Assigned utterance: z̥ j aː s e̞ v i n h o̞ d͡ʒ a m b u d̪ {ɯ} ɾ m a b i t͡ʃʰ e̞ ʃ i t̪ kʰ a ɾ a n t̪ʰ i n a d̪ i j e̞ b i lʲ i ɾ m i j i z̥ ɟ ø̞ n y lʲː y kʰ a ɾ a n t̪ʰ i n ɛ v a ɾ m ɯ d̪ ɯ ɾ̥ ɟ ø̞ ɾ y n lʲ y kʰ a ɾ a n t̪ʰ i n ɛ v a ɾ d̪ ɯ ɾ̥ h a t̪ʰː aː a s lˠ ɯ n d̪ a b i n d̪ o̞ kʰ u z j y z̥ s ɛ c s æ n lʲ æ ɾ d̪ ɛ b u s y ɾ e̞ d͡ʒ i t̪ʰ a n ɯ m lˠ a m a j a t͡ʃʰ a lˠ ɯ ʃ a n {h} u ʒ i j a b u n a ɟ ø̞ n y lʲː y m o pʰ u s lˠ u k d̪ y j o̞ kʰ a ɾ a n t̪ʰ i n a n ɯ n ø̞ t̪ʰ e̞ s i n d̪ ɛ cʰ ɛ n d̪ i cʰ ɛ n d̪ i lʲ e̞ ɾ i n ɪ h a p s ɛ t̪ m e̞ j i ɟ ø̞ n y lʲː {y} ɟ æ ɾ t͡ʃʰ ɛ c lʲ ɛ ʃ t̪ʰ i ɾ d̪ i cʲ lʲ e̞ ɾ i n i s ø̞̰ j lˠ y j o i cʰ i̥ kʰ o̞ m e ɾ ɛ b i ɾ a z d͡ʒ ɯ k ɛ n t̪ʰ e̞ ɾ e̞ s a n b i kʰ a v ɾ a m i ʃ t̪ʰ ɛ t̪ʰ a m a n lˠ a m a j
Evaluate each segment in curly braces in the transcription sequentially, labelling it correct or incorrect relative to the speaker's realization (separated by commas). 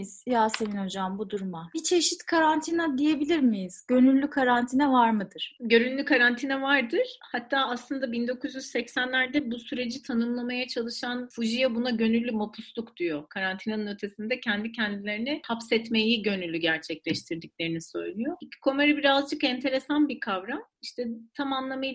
incorrect, incorrect, correct